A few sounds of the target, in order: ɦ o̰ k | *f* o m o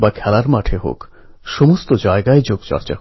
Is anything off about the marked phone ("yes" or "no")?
yes